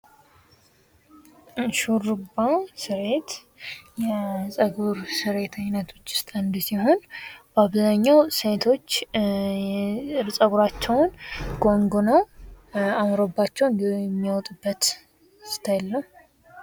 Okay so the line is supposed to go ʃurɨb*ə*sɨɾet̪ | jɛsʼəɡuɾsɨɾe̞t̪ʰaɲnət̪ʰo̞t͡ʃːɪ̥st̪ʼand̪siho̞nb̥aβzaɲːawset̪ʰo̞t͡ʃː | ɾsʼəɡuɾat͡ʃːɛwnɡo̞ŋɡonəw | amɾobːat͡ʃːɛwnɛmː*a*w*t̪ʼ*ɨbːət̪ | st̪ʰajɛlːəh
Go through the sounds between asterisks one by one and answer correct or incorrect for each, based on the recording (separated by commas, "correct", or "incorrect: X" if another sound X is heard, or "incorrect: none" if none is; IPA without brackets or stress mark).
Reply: incorrect: a, incorrect: i, correct